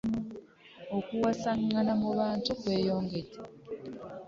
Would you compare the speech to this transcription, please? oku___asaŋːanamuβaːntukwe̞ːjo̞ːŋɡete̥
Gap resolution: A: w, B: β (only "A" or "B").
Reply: A